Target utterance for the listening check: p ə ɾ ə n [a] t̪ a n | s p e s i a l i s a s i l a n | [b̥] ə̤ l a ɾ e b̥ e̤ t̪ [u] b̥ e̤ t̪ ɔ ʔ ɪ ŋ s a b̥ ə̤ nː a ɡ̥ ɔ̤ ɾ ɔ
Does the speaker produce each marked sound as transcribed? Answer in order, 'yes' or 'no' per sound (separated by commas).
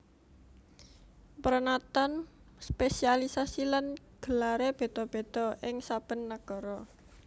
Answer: yes, no, no